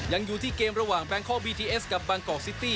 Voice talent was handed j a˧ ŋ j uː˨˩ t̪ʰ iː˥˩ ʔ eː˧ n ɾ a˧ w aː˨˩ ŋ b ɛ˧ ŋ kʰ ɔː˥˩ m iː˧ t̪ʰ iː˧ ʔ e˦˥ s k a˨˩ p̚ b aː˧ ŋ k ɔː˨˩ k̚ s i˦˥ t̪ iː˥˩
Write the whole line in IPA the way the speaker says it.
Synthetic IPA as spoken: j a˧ ŋ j uː˨˩ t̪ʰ iː˥˩ k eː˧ m ɾ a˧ w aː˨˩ ŋ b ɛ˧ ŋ kʰ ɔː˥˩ b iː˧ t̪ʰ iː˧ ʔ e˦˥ s k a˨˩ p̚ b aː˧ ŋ k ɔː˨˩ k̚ s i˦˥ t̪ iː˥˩